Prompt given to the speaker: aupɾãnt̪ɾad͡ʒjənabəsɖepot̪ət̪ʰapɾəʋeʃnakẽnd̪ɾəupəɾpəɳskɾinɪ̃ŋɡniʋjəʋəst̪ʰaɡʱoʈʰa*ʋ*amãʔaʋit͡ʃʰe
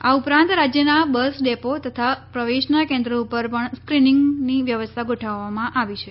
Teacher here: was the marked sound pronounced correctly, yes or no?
no